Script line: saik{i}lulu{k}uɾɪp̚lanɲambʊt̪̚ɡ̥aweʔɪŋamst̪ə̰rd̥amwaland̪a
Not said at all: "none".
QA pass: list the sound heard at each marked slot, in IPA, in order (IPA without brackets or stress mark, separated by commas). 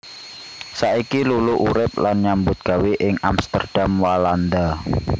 i, ʔ